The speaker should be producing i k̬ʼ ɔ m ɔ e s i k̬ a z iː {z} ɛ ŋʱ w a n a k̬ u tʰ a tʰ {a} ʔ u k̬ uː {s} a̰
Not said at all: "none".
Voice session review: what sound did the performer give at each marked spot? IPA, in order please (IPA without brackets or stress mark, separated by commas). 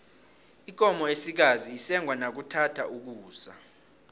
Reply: s, a, s